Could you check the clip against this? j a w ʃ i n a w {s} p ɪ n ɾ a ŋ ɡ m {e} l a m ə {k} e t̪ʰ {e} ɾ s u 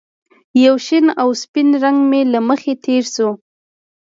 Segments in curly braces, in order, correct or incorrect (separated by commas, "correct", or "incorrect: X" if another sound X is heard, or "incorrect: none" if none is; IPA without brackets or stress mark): correct, correct, incorrect: x, correct